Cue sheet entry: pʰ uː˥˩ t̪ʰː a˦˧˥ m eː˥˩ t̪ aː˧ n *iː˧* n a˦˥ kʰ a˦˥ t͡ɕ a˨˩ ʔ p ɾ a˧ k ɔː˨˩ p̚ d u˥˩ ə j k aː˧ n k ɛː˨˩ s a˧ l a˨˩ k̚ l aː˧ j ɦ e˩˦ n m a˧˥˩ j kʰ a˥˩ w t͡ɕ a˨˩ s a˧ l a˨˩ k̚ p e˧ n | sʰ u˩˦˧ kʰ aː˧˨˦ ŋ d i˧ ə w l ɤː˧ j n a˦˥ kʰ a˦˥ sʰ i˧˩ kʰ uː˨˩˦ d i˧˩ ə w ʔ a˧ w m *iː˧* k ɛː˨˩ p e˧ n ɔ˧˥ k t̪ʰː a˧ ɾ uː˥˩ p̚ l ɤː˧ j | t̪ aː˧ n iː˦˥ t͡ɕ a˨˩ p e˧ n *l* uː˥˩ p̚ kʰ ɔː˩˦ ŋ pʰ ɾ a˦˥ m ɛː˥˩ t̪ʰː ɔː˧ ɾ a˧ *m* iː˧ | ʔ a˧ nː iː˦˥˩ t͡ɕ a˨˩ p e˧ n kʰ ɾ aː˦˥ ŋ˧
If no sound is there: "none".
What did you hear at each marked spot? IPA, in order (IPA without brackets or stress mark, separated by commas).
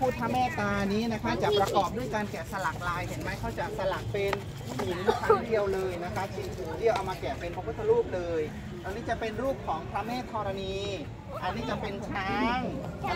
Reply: iː˦˥, aː˧, ɾ, n